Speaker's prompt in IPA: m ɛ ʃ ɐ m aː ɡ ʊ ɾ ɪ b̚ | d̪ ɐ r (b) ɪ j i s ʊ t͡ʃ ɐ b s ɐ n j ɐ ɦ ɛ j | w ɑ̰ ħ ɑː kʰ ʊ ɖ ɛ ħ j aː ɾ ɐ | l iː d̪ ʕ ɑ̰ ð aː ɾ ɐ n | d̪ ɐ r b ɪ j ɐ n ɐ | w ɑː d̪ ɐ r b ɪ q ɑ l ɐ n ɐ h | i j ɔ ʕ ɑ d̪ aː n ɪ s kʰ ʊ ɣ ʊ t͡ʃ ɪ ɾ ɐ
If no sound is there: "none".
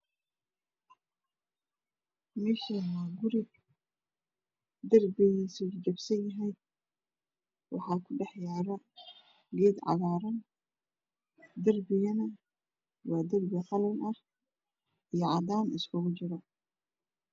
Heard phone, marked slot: b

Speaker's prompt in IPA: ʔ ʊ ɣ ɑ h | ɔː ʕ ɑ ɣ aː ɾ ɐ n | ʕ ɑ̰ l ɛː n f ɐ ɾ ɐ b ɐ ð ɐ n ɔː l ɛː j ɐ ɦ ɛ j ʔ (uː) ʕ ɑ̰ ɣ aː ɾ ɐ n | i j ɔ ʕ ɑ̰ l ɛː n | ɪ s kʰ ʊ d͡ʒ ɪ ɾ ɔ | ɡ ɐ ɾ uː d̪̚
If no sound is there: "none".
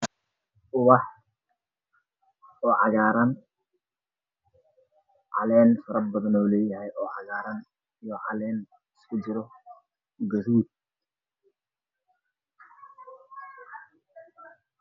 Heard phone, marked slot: ɔː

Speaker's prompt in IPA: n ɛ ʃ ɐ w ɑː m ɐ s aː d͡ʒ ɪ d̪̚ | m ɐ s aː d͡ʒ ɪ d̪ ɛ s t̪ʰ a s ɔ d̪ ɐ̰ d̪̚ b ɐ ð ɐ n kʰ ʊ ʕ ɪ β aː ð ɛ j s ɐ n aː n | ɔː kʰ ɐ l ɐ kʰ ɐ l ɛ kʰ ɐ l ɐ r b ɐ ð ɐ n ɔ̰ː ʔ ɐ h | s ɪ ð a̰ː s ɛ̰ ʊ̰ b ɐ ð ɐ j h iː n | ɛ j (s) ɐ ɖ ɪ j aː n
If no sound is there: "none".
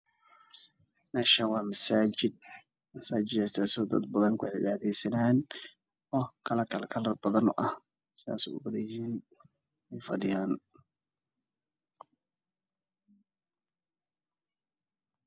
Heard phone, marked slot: f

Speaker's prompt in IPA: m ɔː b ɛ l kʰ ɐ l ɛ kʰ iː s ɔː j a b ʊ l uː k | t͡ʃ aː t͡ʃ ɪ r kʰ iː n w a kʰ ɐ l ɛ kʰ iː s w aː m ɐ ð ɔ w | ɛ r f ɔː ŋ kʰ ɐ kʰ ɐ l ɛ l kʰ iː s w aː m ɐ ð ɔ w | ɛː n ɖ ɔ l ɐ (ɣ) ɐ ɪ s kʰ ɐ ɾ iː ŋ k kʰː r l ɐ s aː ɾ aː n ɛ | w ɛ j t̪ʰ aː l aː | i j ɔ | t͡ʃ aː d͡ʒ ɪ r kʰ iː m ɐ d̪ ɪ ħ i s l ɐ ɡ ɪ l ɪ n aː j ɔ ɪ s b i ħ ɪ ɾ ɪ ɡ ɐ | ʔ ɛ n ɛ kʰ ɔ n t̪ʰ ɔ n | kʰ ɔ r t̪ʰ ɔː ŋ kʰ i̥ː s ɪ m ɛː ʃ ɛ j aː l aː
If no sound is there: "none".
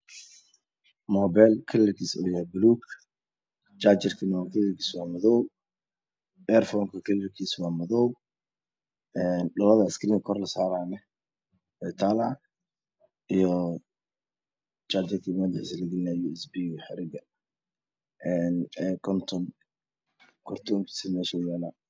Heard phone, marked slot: ð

